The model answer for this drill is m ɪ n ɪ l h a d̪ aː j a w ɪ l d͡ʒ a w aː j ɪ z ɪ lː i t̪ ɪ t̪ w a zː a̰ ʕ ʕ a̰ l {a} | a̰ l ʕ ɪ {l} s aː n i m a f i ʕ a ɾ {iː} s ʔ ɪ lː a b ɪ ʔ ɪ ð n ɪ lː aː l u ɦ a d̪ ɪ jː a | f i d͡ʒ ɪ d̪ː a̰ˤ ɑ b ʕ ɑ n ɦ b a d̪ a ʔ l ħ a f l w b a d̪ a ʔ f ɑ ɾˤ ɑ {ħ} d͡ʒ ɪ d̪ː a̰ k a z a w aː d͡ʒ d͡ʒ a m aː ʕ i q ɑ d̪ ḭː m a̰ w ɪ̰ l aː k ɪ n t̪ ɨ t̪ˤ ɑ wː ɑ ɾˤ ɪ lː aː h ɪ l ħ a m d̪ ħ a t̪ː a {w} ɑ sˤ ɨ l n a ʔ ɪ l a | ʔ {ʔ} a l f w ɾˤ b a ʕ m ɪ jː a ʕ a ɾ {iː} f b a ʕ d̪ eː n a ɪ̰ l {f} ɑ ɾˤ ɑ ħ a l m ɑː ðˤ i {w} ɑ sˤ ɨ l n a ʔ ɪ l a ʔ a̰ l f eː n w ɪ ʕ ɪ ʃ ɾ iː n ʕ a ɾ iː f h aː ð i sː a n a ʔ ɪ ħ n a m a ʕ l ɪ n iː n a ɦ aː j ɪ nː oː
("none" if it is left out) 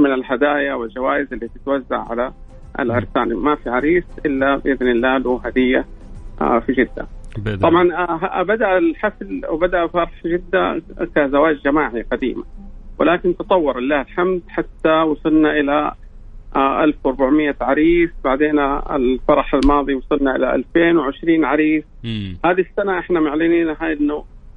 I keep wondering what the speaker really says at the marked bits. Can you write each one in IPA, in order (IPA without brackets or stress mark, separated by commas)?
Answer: a, ɾ, iː, ħ, w, ʔ, iː, f, w